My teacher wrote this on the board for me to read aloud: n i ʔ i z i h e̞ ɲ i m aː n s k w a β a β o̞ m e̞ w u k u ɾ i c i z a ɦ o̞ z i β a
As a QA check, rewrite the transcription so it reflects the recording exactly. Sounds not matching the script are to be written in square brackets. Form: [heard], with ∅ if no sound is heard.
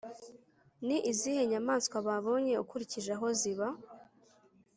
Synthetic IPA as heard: n i ʔ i z i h e̞ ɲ [a] m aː n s k w a β a β o̞ [ɲ] e̞ [∅] u k u ɾ i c i [ʒ] a ɦ o̞ z i β a